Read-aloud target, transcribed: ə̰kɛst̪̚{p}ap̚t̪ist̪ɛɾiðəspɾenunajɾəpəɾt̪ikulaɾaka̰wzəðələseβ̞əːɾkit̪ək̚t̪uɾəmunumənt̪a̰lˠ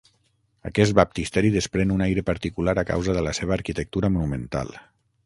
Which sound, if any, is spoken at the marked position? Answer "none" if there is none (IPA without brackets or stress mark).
b